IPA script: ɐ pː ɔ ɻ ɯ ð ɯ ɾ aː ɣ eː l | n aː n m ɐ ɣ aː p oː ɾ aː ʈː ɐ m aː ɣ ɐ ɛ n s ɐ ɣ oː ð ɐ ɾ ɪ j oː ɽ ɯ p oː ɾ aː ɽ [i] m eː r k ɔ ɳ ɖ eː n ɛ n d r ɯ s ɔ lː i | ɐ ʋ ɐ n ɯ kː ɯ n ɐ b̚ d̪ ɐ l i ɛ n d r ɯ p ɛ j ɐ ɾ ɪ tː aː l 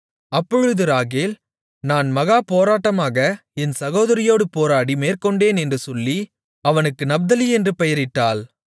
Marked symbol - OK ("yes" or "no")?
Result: yes